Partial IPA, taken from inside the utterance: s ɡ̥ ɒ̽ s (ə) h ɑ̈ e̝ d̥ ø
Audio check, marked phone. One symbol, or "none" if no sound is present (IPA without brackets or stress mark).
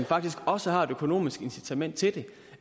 ə